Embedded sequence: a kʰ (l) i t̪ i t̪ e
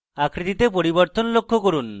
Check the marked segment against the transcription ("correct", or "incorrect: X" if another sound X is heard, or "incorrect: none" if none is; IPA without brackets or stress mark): incorrect: ɾ